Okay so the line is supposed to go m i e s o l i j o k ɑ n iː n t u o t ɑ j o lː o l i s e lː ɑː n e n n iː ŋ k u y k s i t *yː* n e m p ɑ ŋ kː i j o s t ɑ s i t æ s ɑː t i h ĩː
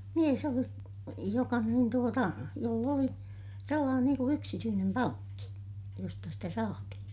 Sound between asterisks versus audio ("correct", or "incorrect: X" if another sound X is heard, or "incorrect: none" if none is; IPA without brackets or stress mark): correct